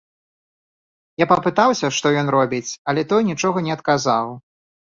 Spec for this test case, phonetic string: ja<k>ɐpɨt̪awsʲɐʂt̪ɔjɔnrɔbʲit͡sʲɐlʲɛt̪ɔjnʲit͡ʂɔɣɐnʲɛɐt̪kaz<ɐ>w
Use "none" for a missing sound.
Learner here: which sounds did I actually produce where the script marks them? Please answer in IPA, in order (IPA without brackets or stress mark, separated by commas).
p, a